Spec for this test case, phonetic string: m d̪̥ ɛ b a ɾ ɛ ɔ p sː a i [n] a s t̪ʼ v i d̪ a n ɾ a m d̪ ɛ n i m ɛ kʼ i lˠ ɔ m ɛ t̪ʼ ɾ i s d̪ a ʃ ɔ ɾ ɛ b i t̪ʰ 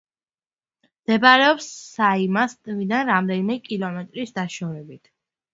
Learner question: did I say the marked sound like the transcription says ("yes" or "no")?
no